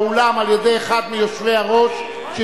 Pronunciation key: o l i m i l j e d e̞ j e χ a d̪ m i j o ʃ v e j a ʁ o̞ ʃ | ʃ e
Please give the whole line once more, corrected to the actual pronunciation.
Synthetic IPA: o l a m a l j e d e̞ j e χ a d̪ m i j o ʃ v e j a ʁ o̞ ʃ | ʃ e